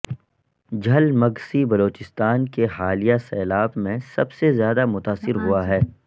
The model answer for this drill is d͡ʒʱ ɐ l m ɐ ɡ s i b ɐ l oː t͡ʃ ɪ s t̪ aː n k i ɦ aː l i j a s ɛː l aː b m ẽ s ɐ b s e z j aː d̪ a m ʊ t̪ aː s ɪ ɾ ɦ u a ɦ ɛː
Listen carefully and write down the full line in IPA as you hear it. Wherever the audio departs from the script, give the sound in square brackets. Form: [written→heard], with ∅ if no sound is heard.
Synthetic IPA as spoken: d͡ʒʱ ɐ l m ɐ ɡ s i b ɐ l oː t͡ʃ ɪ s t̪ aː n k [i→e] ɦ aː l i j a s ɛː l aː b m ẽ s ɐ b s e z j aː d̪ a m ʊ t̪ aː s ɪ ɾ ɦ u a ɦ ɛː

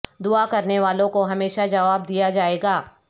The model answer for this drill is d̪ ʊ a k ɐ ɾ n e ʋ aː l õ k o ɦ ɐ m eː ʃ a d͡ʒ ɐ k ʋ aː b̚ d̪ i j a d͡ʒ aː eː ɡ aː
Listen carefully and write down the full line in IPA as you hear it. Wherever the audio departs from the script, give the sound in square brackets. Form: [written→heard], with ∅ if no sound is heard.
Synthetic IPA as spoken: d̪ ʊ a k ɐ ɾ n e ʋ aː l õ k o ɦ ɐ m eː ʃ a d͡ʒ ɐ [k→∅] ʋ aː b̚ d̪ i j a d͡ʒ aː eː ɡ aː

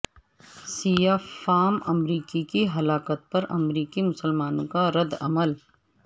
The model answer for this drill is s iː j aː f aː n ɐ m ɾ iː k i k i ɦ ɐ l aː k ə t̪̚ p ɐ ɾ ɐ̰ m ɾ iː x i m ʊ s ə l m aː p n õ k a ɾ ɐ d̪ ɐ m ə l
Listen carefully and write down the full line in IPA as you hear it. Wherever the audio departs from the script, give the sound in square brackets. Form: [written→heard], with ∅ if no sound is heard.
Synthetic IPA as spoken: s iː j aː f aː [n→m] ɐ m ɾ iː k i k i ɦ ɐ l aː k ə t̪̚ p ɐ ɾ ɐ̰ m ɾ iː [x→k] i m ʊ s ə l m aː [p→∅] n õ k a ɾ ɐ d̪ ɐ m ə l

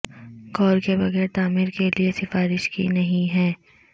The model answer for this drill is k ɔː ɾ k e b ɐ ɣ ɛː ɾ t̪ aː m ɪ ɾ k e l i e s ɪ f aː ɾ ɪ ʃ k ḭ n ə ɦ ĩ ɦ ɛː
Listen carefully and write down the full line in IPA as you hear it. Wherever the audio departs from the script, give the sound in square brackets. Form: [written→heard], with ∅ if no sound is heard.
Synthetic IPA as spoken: k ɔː ɾ k e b ɐ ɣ ɛː ɾ t̪ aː m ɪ ɾ k e l i e s ɪ f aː ɾ ɪ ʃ k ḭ n [ə→ɐ] ɦ ĩ ɦ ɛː

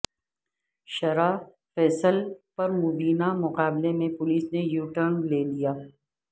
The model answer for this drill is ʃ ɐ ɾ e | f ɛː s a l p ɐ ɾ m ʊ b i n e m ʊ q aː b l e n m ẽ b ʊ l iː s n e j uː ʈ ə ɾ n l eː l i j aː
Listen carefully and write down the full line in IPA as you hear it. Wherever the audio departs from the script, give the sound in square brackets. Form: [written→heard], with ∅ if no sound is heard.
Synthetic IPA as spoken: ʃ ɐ ɾ [e→a] | f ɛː s [a→ə] l p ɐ ɾ m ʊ b [i→iː] n [e→a] m ʊ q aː b l e [n→∅] m ẽ [b→p] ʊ l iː s n e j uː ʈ ə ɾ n l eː l i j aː

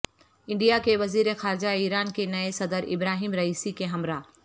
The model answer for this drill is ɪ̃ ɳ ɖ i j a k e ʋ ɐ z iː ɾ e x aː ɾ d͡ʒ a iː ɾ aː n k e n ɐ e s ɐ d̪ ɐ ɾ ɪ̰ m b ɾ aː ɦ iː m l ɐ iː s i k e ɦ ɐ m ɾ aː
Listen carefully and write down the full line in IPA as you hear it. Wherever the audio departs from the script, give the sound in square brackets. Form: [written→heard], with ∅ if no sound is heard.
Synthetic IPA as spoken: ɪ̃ ɳ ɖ i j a k e ʋ ɐ z iː ɾ e x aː ɾ d͡ʒ a iː ɾ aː n k e n ɐ e s ɐ d̪ [ɐ→ə] ɾ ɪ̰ [m→∅] b ɾ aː ɦ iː m [l→ɾ] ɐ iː s i k e ɦ ɐ m ɾ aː

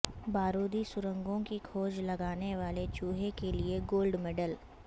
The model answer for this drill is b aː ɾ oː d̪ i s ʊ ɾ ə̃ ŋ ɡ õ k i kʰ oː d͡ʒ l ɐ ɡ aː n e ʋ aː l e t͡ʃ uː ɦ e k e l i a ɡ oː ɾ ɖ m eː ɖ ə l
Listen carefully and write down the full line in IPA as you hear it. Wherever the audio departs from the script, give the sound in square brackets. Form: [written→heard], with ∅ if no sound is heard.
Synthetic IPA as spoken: b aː ɾ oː d̪ i s ʊ ɾ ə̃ ŋ ɡ õ k i kʰ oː d͡ʒ l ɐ ɡ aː n e ʋ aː l e t͡ʃ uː ɦ e k e l i [a→e] ɡ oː [ɾ→l] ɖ m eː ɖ ə l

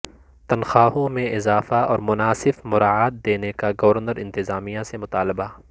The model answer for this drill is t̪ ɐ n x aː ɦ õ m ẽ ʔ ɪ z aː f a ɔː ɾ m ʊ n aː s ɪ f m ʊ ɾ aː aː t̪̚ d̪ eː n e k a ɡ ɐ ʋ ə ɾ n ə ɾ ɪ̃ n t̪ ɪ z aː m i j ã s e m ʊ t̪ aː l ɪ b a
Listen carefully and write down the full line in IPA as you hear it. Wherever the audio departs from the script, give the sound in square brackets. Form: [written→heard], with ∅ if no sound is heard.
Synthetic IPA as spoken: t̪ ɐ n x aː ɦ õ m ẽ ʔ ɪ z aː f a ɔː ɾ m ʊ n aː s ɪ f m ʊ ɾ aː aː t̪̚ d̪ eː n e k a ɡ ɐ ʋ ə ɾ n ə ɾ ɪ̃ n t̪ ɪ z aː m i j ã s e m ʊ t̪ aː l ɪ b a

